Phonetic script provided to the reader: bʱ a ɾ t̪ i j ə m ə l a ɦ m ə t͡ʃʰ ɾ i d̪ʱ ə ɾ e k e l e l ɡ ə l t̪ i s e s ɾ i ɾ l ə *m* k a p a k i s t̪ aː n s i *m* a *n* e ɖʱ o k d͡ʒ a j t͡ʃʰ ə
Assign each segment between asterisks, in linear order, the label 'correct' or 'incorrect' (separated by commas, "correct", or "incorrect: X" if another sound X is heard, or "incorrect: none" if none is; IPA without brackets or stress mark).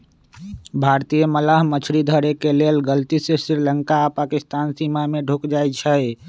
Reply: incorrect: ŋ, correct, incorrect: m